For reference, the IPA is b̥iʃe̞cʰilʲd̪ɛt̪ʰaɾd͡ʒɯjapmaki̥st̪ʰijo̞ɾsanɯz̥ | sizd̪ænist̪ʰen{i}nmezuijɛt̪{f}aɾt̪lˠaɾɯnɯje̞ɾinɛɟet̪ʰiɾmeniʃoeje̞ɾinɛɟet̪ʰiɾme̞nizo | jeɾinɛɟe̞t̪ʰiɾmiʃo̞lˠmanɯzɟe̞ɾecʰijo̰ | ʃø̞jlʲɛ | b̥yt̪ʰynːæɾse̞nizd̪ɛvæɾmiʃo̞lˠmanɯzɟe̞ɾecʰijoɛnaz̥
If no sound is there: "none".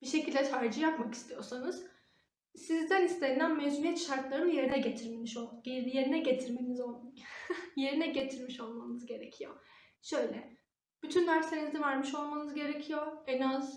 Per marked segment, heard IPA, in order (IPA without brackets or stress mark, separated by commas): æ, ʃ